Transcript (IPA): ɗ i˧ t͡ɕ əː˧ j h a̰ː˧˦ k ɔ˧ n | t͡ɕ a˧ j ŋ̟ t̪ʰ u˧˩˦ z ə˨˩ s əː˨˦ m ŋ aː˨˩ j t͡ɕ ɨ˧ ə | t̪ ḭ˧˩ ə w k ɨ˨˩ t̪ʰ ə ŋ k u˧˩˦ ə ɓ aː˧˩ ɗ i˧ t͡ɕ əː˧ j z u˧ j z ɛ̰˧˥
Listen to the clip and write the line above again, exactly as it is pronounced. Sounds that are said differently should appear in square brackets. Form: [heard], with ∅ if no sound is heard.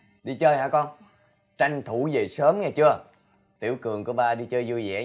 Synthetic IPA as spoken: ɗ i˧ t͡ɕ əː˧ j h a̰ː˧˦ k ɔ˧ n | t͡ɕ a˧ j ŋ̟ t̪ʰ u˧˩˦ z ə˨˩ s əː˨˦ m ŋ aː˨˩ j t͡ɕ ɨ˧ ə | t̪ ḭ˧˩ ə w k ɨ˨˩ [∅] ə ŋ k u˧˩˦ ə ɓ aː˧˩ ɗ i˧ t͡ɕ əː˧ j z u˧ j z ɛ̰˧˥